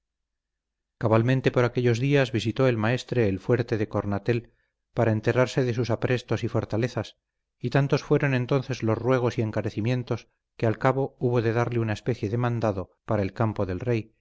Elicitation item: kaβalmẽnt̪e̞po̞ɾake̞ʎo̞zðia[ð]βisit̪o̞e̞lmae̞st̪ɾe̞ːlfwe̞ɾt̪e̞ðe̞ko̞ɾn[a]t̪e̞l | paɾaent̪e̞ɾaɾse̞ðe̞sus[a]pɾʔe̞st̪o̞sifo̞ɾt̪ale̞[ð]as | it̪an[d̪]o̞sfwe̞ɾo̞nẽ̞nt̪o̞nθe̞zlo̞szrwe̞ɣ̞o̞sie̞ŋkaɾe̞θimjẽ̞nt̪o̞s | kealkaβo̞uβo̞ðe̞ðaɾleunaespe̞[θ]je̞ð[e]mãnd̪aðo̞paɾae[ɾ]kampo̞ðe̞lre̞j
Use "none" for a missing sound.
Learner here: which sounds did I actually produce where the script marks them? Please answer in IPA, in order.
z, a, a, θ, t̪, θ, e, l

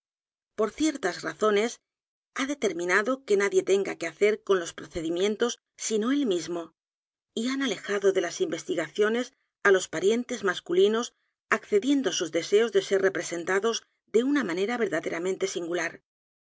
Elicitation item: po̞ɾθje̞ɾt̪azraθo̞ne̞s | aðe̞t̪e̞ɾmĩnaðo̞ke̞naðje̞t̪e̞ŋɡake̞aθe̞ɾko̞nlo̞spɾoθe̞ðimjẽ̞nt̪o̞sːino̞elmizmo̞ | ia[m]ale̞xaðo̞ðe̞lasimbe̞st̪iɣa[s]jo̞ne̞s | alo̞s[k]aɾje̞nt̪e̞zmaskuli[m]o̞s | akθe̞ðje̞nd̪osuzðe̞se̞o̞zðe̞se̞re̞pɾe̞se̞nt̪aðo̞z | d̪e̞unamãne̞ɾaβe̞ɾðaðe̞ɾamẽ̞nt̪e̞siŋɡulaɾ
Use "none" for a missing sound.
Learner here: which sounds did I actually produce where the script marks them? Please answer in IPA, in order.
n, θ, p, n

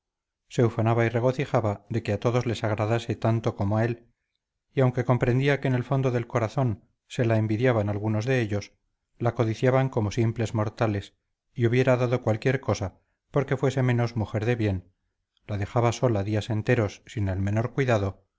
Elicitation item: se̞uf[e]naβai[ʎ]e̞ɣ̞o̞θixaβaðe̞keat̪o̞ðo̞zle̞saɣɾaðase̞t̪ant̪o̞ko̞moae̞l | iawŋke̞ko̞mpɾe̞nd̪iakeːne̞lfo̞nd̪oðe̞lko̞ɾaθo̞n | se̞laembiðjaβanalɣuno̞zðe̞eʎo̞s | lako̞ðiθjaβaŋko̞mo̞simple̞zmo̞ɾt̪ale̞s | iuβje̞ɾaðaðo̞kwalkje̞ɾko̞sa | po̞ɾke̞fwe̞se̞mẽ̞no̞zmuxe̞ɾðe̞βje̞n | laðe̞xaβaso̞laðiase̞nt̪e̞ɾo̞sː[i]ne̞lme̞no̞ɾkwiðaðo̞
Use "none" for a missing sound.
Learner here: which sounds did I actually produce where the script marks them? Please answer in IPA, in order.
a, r, i

